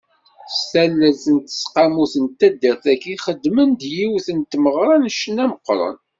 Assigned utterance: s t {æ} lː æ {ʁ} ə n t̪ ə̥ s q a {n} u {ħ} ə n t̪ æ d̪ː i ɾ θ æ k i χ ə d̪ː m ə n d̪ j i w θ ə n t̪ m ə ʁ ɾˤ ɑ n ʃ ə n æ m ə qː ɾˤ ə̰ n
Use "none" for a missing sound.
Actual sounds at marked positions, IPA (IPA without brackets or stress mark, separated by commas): æ, z, m, θ